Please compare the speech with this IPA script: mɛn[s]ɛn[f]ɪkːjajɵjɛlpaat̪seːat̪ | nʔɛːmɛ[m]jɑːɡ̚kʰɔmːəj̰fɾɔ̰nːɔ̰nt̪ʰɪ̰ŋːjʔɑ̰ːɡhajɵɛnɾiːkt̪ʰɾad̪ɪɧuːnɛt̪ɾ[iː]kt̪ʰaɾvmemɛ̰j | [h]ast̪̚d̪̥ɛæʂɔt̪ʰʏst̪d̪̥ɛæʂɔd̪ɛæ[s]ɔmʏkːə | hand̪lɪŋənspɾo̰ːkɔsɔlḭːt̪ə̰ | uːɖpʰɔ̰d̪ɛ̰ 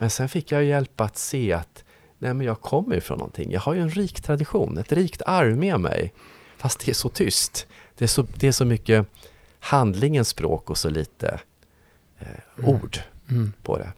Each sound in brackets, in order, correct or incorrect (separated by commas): correct, correct, incorrect, correct, incorrect, incorrect